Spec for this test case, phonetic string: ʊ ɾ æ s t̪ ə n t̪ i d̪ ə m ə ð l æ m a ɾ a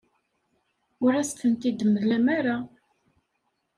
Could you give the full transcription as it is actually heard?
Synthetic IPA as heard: ʊ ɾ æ s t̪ ə n t̪ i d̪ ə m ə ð l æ m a ɾ a